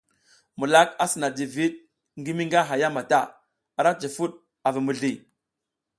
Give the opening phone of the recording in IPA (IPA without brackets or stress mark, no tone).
m